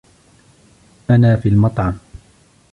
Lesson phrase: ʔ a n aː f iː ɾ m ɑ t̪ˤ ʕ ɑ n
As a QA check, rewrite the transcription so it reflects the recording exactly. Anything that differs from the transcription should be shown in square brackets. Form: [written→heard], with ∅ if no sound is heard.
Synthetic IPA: ʔ a n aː f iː [ɾ→l] m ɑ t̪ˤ ʕ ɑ [n→m]